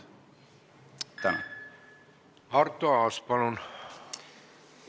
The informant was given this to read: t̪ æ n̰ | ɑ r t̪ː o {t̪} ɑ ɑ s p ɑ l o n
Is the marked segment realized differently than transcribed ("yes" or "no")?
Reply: yes